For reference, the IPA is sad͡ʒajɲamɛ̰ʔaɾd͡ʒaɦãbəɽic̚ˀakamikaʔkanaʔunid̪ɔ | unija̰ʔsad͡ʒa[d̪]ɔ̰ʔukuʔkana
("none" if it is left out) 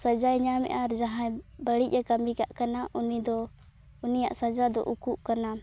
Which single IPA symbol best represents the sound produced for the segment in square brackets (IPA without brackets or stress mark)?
d̪